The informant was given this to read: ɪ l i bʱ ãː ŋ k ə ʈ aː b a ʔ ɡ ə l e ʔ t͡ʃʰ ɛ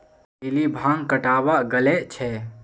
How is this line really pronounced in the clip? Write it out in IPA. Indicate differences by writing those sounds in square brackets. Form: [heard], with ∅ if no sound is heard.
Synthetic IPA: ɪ l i bʱ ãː ŋ k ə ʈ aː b a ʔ ɡ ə l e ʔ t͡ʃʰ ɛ